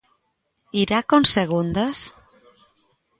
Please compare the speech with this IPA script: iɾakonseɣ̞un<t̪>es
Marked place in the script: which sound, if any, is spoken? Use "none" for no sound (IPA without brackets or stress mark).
d̪